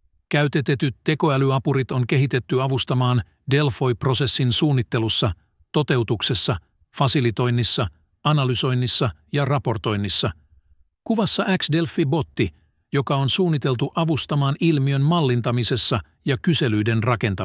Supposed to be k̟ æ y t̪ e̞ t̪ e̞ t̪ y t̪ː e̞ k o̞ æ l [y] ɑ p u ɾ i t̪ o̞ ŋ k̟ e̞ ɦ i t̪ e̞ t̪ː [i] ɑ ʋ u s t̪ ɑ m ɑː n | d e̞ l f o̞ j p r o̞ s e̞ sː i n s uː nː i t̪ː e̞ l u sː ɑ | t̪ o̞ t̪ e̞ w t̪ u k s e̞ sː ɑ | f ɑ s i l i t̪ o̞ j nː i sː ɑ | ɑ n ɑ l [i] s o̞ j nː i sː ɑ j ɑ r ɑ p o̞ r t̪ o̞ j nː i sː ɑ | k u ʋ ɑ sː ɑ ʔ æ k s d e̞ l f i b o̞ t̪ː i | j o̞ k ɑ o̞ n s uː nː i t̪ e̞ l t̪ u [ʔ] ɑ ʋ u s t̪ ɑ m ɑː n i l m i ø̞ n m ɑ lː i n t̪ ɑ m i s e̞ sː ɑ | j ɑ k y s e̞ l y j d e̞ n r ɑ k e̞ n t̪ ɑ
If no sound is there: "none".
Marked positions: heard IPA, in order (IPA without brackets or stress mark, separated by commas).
y, y, y, ʔ